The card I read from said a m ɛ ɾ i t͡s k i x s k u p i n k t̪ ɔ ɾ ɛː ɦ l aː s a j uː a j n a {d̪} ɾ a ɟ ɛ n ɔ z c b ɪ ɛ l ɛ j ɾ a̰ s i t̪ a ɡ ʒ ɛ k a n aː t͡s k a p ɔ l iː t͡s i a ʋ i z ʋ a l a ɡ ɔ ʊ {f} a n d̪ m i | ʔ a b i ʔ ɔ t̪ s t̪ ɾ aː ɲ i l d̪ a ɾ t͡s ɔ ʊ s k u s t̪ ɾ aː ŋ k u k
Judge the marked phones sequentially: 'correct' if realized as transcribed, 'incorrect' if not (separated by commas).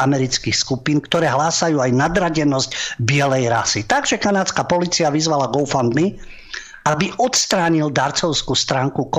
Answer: correct, correct